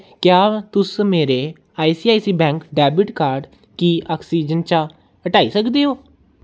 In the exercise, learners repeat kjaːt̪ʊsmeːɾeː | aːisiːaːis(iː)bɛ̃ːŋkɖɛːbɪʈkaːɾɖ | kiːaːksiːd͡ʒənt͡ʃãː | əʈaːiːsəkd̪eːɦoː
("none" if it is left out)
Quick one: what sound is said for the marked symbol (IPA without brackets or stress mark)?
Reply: iː